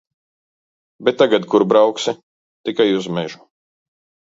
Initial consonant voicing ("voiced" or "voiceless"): voiced